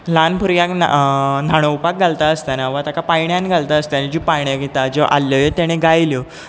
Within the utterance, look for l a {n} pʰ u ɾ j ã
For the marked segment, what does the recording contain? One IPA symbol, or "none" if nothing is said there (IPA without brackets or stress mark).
n